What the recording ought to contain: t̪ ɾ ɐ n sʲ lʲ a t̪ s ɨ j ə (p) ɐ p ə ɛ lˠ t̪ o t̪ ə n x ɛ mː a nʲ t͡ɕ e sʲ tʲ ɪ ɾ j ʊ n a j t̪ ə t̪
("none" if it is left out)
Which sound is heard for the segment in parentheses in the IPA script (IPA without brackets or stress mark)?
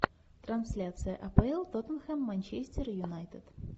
ʔ